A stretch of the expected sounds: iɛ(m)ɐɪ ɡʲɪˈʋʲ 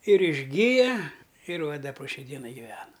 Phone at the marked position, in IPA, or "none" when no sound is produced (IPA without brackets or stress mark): n